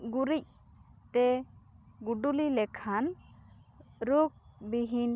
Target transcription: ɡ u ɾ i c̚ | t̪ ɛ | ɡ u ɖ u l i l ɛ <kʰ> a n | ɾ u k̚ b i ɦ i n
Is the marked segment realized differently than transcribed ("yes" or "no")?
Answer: no